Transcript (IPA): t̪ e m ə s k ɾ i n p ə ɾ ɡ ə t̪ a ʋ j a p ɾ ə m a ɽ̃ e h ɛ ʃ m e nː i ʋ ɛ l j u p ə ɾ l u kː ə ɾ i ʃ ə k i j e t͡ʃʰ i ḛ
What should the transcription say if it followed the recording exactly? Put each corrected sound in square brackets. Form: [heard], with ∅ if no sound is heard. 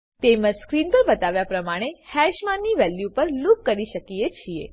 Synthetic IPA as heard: t̪ e m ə s k ɾ i n p ə ɾ [b] ə t̪ a ʋ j a p ɾ ə m a ɽ̃ e h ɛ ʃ m [a] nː i ʋ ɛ l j u p ə ɾ l u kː ə ɾ i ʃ ə k i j e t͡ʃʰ i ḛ